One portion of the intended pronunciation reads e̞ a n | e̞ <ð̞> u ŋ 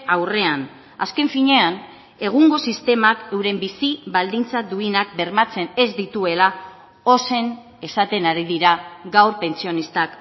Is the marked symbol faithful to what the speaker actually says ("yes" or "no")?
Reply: no